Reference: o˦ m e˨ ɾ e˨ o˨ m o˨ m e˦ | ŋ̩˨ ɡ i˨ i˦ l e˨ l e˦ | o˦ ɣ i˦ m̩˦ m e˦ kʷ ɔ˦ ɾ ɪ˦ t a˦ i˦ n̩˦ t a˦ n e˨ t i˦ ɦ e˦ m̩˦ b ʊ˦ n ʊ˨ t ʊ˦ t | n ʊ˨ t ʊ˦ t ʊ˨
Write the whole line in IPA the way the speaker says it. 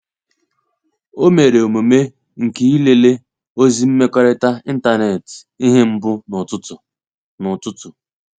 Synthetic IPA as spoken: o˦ m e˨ ɾ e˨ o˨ m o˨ m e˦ | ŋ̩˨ k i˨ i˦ l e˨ l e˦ | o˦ z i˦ m̩˦ m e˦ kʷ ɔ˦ ɾ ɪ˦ t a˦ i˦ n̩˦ t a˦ n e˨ t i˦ ɦ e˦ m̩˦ b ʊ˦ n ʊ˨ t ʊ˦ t | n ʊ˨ t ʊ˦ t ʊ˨